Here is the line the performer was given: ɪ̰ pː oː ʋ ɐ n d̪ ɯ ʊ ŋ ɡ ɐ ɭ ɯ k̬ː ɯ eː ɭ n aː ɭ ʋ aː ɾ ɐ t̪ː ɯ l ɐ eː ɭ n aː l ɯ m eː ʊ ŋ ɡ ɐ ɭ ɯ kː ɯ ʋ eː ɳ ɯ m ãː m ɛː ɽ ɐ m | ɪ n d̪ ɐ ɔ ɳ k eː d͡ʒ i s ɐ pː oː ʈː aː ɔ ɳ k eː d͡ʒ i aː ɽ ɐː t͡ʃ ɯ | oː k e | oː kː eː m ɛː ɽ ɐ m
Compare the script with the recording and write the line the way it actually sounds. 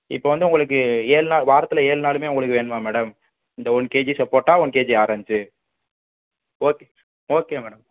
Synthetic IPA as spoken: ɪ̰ pː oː ʋ ɐ n d̪ ɯ ʊ ŋ ɡ ɐ ɭ ɯ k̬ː ɯ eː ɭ n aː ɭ ʋ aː ɾ ɐ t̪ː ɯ l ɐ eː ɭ n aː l ɯ m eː ʊ ŋ ɡ ɐ ɭ ɯ kː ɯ ʋ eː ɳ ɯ m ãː m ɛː ɽ ɐ m | ɪ n d̪ ɐ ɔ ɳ k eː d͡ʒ i s ɐ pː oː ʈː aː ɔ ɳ k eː d͡ʒ i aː ɾ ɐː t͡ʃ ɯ | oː k e | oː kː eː m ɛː ɽ ɐ m

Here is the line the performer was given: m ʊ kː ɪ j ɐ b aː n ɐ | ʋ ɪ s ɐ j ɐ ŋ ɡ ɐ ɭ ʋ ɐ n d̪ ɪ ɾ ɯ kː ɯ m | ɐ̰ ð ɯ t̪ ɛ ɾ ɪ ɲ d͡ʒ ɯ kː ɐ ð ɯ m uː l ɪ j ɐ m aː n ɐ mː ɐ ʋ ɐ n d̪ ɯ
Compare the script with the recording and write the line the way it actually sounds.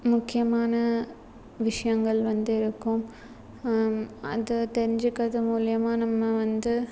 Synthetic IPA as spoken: m ʊ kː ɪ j ɐ m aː n ɐ | ʋ ɪ ʂ ɐ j ɐ ŋ ɡ ɐ ɭ ʋ ɐ n d̪ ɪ ɾ ɯ kː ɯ m | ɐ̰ ð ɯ t̪ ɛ ɾ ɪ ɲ d͡ʒ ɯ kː ɐ ð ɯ m uː l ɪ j ɐ m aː n ɐ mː ɐ ʋ ɐ n d̪ ɯ

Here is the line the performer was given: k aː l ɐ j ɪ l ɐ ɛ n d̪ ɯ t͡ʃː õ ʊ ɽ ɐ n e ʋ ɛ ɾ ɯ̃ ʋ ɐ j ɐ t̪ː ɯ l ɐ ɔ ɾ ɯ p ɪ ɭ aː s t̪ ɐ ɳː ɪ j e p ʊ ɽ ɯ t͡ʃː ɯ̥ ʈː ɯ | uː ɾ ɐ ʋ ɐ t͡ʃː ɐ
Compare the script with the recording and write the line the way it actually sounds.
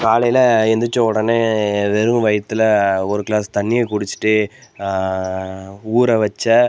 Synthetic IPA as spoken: k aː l ɐ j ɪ l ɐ ɛ n d̪ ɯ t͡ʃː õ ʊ ɽ ɐ n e ʋ ɛ ɾ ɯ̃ ʋ ɐ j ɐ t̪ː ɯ l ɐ ɔ ɾ ɯ k ɪ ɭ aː s t̪ ɐ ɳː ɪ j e k ʊ ɽ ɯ t͡ʃː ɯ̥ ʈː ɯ | uː ɾ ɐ ʋ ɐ t͡ʃː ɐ

